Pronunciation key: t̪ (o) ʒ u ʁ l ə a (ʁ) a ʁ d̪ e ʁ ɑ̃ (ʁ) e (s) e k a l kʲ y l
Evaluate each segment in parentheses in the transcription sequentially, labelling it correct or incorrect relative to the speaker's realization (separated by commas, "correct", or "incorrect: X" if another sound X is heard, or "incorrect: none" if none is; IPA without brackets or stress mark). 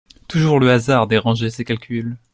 incorrect: u, incorrect: z, incorrect: ʒ, correct